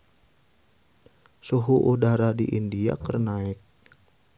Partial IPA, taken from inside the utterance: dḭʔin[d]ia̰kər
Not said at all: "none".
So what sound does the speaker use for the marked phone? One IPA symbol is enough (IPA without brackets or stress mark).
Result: d